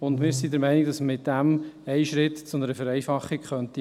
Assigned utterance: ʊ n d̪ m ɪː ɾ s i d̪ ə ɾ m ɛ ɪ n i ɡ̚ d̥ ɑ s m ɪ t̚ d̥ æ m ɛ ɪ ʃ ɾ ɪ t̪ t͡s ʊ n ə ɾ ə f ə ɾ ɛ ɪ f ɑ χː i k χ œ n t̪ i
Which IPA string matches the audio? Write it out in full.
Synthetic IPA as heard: ʊ n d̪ m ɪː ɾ s i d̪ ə ɾ m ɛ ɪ n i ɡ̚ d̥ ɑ s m ɪ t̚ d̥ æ m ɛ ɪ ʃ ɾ ɪ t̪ t͡s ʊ n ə ɾ ə f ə ɾ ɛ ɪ f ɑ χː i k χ œ n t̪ i